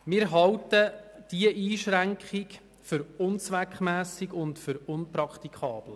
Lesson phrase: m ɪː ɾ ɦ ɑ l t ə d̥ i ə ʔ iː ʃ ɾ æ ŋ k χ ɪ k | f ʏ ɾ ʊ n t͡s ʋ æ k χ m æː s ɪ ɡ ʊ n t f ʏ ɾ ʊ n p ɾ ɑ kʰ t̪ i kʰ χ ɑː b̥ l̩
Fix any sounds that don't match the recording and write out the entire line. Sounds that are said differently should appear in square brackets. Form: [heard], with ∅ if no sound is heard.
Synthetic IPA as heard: m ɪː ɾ ɦ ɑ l t ə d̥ i ə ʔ iː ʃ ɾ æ ŋ k χ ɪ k | f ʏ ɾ ʊ n t͡s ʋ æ k χ m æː s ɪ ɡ ʊ n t f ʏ ɾ ʊ n p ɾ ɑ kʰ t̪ i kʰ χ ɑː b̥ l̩